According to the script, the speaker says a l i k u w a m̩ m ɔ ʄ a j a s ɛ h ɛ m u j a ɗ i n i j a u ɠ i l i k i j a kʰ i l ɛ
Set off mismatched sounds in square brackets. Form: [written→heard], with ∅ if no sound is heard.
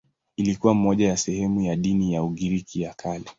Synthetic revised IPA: [a→i] l i k u w a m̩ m ɔ ʄ a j a s ɛ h ɛ m u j a ɗ i n i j a u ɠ i [l→ɾ] i k i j a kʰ [i→a] l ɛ